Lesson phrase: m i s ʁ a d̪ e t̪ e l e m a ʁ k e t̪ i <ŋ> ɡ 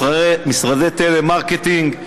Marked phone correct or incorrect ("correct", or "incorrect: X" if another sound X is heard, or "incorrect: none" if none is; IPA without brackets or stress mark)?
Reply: correct